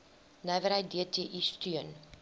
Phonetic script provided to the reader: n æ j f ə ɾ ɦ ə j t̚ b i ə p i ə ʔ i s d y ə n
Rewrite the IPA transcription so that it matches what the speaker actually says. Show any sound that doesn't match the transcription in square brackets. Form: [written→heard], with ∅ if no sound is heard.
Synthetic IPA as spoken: n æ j [f→v] ə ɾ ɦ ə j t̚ [b→d] i ə [p→t] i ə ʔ i s [d→t] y ə n